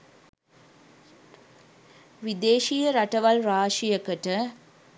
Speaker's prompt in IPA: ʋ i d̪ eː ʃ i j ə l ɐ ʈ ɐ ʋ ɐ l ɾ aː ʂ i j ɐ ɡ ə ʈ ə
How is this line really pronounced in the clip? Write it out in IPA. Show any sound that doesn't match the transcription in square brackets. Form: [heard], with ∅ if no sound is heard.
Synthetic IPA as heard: ʋ i d̪ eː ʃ i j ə [ɾ] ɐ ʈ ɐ ʋ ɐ l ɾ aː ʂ i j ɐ [k] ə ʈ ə

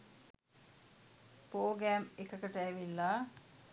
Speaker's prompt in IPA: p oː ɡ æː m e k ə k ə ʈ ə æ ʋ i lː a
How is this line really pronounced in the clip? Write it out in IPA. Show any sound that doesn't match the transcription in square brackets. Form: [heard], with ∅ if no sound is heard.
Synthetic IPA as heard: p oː ɡ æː m e k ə k ə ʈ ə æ ʋ i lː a

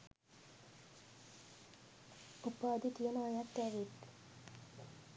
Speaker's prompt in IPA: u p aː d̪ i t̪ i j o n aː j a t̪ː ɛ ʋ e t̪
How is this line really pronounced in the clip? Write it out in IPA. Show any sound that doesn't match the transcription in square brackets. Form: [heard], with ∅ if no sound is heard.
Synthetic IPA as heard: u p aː d̪ i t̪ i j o n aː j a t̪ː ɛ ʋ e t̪

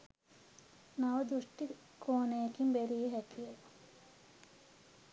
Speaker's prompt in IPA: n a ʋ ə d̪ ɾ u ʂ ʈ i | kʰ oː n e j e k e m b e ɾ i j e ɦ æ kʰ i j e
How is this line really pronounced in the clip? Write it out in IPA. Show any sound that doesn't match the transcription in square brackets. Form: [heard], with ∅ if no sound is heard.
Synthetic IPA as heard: n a ʋ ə d̪ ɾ u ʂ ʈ i | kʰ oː n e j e k [i] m b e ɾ i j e ɦ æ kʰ i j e

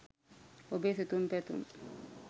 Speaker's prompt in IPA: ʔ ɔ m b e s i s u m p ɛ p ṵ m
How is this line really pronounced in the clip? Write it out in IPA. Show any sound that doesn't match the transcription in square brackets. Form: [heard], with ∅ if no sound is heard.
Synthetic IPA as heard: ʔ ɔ [∅] b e s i [t] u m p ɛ [t] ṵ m

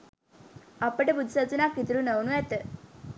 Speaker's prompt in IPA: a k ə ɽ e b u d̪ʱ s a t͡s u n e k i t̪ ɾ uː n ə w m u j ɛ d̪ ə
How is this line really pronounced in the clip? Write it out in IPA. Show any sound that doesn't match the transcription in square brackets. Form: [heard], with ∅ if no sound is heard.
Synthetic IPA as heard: a [p] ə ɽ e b u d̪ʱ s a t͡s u n [a] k i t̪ ɾ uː n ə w [n] u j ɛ [t̪] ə

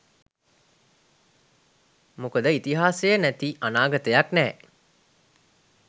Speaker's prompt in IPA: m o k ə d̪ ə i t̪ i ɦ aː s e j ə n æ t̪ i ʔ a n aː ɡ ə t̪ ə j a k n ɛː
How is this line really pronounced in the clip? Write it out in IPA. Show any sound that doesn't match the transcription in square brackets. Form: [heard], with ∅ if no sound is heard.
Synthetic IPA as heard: m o k ə d̪ ə i t̪ i ɦ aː s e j ə n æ t̪ i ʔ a n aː ɡ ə t̪ ə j a k n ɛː

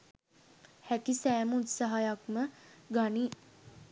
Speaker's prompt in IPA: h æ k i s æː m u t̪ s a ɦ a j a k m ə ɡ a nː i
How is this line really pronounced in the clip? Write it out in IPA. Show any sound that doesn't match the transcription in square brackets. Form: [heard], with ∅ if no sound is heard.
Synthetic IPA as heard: h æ k i s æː m u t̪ s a ɦ a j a k m ə ɡ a [n] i

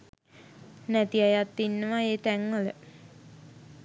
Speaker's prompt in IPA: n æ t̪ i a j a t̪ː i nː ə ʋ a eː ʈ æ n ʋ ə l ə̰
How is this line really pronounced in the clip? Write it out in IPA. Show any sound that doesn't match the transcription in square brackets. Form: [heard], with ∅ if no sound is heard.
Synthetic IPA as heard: n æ t̪ i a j a t̪ː i nː ə ʋ a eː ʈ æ [ŋ] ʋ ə l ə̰

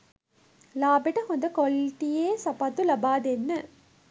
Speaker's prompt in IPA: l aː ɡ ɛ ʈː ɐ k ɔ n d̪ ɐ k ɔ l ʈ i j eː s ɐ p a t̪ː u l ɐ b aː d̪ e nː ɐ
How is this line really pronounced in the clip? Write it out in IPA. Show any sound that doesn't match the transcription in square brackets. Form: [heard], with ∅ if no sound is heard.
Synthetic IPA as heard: l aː [b] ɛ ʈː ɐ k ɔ n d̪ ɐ k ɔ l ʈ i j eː s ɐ p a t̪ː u l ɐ b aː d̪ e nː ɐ

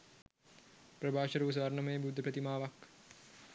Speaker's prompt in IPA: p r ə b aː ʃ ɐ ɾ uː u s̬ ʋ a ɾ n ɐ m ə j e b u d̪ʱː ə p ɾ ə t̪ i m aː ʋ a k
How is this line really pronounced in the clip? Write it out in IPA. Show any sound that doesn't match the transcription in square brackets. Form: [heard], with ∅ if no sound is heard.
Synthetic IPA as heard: p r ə b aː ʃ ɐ ɾ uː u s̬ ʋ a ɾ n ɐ m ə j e b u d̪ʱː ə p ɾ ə t̪ i m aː ʋ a k

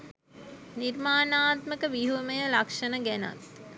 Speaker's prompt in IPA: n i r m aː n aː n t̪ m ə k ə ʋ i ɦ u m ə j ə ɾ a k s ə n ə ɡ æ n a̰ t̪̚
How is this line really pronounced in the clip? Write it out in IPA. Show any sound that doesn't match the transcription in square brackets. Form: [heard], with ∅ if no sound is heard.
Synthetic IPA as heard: n i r m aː n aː [∅] t̪ m ə k ə ʋ i ɦ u m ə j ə [l] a k [ʂ] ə n ə ɡ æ n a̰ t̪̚

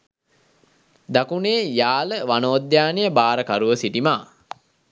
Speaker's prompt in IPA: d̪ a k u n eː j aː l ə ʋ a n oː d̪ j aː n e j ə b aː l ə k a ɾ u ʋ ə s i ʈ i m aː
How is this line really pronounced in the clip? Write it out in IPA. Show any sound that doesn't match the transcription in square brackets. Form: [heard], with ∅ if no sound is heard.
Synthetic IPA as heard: d̪ a k u n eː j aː l ə ʋ a n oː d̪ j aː n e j ə b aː [ɾ] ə k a ɾ u ʋ ə s i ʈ i m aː

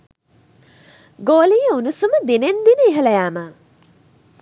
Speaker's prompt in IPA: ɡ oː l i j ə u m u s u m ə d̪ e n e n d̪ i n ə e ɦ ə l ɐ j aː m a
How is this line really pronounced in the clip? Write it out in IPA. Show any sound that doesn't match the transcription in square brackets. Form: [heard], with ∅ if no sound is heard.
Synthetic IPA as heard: ɡ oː l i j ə u [n] u s u m ə d̪ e n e n d̪ i n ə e ɦ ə l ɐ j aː m [ə]

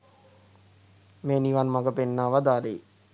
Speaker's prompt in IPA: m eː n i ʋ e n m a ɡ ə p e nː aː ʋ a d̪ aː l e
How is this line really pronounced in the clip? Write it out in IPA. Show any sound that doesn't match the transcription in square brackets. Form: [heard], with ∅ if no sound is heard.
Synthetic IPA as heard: m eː n i ʋ [a] n m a ɡ ə p e nː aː ʋ a d̪ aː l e

